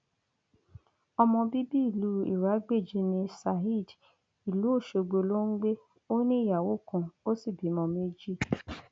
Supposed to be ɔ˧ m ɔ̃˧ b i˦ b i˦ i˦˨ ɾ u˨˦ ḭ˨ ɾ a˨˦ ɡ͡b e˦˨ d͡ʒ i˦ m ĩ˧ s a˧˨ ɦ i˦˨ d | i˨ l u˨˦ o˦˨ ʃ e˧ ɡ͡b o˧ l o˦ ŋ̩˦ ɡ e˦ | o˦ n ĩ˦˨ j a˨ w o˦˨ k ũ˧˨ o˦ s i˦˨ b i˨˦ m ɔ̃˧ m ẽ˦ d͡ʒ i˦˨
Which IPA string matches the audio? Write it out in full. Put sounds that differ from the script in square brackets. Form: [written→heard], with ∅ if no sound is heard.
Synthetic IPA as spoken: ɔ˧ m ɔ̃˧ b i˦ b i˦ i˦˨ [ɾ→l] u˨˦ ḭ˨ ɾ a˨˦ ɡ͡b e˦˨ d͡ʒ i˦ [m→n] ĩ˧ s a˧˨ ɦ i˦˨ d | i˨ l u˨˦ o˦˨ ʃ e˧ ɡ͡b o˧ l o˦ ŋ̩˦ [ɡ→ɡ͡b] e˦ | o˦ n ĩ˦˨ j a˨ w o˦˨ k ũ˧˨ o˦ s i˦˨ b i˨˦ m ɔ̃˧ m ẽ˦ d͡ʒ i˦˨